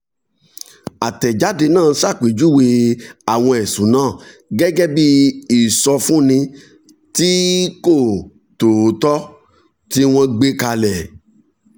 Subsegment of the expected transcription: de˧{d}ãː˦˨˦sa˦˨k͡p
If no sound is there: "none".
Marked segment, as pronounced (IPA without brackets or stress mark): n